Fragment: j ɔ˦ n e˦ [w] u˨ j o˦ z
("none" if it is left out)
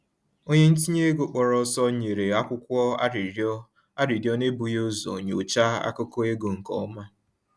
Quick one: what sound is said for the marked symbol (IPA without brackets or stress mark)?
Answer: b